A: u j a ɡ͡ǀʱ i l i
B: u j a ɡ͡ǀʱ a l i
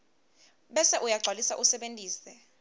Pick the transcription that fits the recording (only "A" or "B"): B